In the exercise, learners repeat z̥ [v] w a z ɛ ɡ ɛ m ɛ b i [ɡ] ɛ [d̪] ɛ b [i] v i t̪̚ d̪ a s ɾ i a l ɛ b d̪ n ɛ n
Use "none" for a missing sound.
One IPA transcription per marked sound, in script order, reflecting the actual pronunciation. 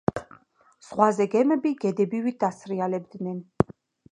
ʁ, ɡ, d̪, i

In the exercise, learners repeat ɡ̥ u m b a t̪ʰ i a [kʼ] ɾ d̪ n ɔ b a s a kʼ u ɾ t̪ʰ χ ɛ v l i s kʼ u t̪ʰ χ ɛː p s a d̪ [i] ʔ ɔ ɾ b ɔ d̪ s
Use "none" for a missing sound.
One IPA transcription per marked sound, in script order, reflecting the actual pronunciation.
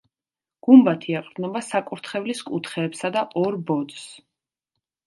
qʼ, a

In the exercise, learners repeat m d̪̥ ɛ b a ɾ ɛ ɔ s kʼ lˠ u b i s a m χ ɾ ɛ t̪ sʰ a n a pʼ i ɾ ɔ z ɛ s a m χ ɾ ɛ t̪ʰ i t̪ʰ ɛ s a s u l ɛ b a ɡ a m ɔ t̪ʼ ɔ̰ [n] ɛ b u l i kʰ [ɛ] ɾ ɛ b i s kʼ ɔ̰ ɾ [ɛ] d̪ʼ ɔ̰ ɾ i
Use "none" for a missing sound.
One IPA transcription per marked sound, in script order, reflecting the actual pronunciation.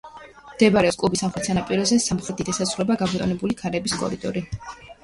n, a, i

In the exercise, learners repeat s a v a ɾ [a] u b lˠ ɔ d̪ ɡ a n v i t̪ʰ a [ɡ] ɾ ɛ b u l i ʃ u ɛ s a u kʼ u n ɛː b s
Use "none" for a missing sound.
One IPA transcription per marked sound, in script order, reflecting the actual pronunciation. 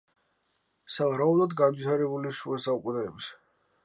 a, none

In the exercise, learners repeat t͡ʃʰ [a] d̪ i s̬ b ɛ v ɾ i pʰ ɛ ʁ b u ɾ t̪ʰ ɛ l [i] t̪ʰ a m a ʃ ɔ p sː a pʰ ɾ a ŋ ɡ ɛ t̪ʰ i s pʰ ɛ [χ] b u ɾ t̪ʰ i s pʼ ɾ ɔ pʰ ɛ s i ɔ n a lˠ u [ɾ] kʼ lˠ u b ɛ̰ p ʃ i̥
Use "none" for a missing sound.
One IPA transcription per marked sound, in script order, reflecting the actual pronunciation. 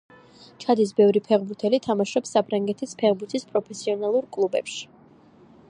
a, i, ʁ, ɾ

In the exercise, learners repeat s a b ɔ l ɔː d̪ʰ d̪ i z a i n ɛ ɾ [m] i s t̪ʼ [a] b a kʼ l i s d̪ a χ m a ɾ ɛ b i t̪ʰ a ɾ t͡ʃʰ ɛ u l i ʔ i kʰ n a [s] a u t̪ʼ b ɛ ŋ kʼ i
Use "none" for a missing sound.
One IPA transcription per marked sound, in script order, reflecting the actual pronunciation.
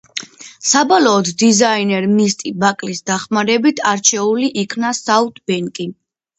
m, i, s

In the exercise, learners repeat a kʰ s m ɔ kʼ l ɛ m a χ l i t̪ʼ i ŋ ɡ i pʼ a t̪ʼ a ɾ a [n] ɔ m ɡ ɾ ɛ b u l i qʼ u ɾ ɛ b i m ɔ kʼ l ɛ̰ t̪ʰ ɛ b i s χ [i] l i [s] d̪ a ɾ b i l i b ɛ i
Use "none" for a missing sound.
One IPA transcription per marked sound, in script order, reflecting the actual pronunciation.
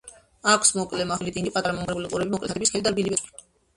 m, ɛ, none

